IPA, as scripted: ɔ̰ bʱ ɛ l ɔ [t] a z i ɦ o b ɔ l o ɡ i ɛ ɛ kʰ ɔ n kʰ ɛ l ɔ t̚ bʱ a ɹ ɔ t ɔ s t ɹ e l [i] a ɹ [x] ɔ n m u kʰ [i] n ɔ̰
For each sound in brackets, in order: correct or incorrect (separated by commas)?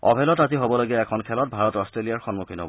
correct, correct, correct, correct